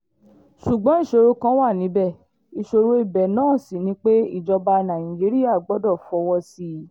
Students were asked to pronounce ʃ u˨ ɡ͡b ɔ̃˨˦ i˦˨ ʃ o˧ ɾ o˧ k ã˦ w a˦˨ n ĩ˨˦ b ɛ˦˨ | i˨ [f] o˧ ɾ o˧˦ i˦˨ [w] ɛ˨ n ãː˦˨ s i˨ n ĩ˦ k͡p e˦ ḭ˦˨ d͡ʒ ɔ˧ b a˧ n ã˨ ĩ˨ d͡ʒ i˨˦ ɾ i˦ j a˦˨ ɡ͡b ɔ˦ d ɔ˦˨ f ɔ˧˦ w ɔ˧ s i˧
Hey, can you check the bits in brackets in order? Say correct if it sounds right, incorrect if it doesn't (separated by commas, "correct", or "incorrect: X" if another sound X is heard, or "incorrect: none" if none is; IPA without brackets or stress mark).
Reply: incorrect: ʃ, incorrect: b